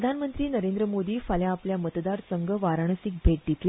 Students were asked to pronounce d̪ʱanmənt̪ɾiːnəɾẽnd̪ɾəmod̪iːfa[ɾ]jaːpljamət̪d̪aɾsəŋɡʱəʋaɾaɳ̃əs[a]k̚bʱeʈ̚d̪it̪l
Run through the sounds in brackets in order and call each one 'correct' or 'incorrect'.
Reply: incorrect: l, incorrect: i

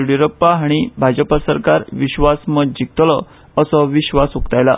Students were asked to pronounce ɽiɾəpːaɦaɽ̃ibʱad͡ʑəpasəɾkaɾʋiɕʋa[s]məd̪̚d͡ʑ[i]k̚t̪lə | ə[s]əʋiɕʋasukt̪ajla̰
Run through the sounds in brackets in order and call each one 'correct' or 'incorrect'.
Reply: correct, correct, correct

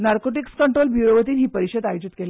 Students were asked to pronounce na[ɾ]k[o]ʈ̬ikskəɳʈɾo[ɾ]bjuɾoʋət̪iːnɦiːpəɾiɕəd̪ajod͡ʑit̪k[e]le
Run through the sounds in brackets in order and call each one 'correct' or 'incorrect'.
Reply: correct, correct, incorrect: l, correct

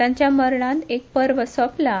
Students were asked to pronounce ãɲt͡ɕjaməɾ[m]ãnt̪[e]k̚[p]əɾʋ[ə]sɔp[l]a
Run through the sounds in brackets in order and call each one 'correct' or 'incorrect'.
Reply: incorrect: ɳ, correct, correct, correct, correct

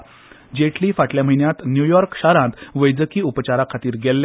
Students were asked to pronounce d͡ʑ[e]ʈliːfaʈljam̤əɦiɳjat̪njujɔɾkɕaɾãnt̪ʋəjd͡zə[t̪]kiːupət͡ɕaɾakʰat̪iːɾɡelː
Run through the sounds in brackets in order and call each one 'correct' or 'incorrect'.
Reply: correct, incorrect: none

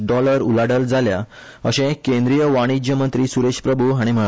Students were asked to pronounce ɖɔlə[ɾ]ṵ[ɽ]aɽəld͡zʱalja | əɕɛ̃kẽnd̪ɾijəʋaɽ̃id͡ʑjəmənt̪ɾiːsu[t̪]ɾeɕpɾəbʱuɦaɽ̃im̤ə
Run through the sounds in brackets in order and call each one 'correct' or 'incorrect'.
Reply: correct, incorrect: l, incorrect: none

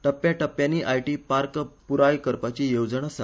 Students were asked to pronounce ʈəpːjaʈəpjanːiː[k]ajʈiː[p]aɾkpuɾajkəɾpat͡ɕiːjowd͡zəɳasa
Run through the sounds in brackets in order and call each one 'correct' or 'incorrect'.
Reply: incorrect: ʔ, correct

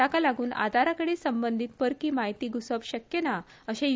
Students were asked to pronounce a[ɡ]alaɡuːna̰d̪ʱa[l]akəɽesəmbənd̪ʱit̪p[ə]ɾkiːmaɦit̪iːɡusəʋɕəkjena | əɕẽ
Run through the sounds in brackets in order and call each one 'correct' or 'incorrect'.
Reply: incorrect: k, incorrect: ɾ, correct

